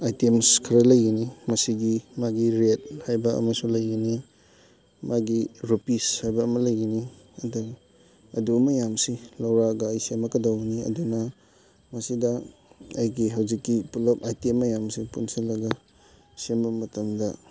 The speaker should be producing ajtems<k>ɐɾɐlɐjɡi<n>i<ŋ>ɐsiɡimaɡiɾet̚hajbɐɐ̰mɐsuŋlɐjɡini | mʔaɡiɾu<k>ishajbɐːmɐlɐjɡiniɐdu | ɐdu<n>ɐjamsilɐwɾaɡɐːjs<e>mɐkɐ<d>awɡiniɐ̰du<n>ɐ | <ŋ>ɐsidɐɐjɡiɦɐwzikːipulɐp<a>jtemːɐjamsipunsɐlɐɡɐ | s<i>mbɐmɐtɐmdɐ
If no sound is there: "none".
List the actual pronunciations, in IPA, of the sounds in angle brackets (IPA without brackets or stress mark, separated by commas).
kʰ, n, m, p, m, e, d, n, m, a, e